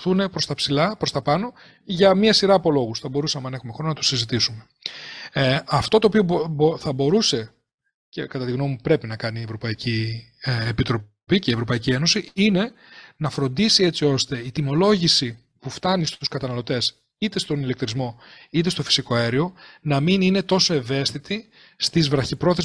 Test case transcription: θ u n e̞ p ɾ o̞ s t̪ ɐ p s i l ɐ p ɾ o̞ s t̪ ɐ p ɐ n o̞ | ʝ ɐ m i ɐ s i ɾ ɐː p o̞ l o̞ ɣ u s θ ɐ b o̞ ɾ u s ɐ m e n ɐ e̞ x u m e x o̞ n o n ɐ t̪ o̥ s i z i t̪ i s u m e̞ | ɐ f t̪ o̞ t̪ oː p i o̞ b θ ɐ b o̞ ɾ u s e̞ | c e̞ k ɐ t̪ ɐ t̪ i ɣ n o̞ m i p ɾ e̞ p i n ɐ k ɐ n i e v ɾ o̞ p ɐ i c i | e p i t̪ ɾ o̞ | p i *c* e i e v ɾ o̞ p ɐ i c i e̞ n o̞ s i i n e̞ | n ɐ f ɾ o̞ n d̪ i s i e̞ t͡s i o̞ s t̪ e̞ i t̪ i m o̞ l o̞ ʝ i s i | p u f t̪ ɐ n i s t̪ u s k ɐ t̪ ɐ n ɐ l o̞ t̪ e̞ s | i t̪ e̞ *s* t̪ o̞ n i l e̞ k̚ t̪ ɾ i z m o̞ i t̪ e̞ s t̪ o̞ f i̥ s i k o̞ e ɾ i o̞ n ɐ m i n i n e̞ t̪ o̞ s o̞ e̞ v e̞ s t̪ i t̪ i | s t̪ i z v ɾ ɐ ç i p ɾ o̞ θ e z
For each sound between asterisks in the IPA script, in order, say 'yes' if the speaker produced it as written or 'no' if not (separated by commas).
yes, yes